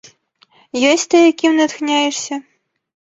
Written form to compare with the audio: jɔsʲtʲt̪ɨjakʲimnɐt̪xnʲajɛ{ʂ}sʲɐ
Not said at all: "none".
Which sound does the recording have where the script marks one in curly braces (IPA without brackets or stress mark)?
ʂ